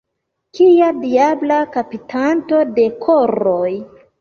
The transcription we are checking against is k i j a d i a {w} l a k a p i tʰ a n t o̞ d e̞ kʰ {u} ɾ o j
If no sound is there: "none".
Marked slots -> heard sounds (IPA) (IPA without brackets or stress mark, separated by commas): b, o